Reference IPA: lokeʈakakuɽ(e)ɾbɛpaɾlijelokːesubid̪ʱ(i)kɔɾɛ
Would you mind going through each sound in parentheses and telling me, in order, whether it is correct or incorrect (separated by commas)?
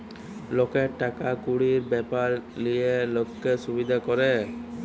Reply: incorrect, incorrect